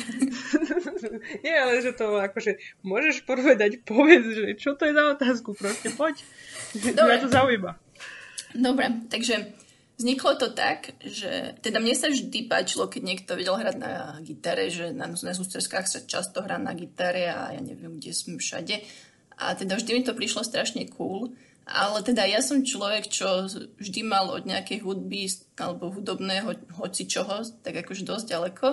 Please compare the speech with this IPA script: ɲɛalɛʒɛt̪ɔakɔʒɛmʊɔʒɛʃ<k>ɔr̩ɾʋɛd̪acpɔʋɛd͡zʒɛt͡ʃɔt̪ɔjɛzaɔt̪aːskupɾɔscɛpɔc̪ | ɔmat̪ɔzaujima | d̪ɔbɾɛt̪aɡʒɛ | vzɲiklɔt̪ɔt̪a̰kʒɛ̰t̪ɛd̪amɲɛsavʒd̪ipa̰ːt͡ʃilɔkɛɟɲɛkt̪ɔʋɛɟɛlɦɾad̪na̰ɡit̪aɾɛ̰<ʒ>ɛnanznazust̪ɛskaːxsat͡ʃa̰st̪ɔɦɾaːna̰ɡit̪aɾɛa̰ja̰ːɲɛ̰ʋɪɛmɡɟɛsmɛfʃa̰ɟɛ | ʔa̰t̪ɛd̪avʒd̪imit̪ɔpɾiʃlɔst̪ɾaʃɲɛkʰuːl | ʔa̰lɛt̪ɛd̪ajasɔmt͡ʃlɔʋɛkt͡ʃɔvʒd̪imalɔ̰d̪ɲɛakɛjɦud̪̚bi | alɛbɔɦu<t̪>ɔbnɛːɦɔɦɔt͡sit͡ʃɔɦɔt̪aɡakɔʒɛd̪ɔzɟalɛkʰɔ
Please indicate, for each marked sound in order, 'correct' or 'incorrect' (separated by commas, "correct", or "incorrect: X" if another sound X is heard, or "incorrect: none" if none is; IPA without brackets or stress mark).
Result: incorrect: p, correct, incorrect: d̪